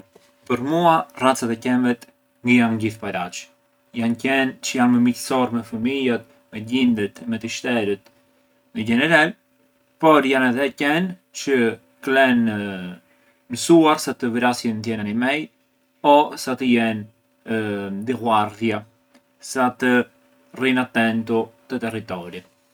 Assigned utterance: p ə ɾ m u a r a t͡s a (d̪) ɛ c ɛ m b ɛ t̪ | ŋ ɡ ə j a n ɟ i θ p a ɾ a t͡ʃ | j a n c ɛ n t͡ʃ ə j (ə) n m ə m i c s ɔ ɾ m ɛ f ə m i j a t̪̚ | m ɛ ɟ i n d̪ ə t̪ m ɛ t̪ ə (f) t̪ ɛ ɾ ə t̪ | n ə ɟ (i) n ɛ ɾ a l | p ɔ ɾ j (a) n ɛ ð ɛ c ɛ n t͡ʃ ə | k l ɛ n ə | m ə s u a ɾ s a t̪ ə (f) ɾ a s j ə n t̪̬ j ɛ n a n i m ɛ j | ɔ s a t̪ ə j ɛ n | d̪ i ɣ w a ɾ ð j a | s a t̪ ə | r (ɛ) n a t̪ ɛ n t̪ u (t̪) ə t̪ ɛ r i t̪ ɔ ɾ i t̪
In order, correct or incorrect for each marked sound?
incorrect: t̪, incorrect: a, incorrect: ʃ, incorrect: ɛ, correct, incorrect: v, incorrect: i, correct

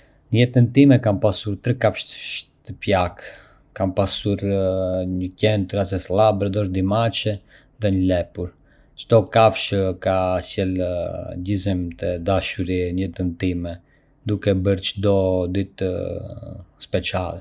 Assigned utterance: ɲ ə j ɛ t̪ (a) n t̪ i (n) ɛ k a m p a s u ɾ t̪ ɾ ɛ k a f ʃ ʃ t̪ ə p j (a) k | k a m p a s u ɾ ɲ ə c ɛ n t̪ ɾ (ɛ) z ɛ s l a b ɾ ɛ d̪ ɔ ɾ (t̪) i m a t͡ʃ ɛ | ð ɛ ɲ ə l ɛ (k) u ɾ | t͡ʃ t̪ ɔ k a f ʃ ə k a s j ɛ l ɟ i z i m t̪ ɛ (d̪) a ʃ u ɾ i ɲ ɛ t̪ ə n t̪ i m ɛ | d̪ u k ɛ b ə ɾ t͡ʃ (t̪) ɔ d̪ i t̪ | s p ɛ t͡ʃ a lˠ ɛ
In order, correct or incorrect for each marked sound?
incorrect: ə, incorrect: m, correct, incorrect: a, incorrect: d̪, incorrect: p, correct, incorrect: d̪

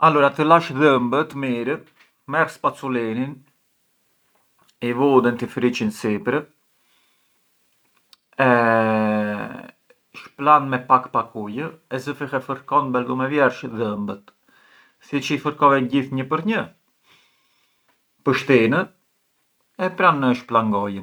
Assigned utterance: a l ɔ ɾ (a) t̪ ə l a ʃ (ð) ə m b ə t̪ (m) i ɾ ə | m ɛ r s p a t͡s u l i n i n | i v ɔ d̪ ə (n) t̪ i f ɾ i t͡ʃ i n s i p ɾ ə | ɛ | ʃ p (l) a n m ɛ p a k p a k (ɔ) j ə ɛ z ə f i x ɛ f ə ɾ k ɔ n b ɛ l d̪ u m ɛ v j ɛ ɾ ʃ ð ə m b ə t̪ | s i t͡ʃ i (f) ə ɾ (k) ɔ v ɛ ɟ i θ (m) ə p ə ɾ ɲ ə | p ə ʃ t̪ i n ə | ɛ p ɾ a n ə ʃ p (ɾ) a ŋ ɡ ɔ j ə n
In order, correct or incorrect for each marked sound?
correct, correct, correct, correct, correct, incorrect: u, correct, correct, incorrect: ɲ, incorrect: l

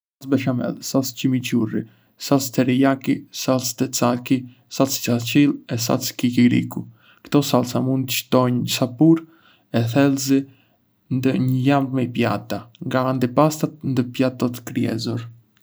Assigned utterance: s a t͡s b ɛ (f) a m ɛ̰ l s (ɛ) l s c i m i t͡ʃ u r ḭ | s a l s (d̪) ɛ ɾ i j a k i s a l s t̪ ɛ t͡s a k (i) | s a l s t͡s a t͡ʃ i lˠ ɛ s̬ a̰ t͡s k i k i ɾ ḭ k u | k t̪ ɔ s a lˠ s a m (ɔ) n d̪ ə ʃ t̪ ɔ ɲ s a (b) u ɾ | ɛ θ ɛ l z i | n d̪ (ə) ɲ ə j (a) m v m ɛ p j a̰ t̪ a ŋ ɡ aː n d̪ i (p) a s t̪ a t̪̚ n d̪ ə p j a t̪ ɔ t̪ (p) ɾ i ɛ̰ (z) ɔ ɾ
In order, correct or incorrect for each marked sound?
incorrect: ʃ, incorrect: a, incorrect: t̪, correct, incorrect: u, incorrect: p, correct, correct, correct, incorrect: k, correct

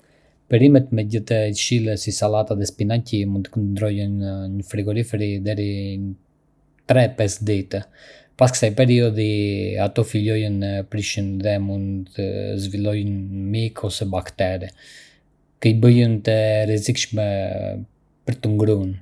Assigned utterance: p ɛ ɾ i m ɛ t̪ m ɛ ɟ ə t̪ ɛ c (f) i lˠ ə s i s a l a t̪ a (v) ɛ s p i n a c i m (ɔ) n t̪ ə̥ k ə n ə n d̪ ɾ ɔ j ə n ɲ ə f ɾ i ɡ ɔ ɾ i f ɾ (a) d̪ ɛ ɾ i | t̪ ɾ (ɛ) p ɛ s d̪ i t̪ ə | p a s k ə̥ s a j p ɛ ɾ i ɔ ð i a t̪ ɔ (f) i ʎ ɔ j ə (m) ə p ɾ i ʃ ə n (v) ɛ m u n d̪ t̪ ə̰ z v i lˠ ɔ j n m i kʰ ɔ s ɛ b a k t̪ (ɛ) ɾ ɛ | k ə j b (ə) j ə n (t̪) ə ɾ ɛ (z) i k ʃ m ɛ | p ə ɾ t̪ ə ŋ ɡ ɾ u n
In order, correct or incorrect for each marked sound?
incorrect: ʃ, incorrect: ð, incorrect: u, incorrect: i, correct, correct, incorrect: n, incorrect: ð, correct, correct, correct, correct

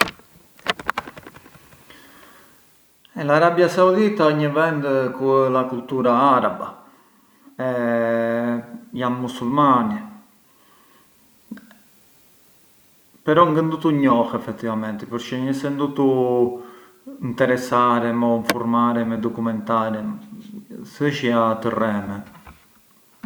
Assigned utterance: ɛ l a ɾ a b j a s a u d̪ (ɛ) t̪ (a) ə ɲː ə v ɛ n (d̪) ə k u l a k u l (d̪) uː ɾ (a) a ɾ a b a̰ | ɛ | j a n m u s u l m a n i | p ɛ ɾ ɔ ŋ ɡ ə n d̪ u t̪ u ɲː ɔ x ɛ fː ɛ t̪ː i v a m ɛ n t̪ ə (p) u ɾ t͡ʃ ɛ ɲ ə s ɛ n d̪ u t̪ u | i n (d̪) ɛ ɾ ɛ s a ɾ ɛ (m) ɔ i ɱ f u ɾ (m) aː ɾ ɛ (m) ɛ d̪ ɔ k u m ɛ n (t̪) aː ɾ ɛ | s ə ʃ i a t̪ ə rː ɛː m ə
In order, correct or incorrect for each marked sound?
incorrect: i, correct, correct, incorrect: t̪, correct, correct, incorrect: t̪, correct, correct, correct, correct

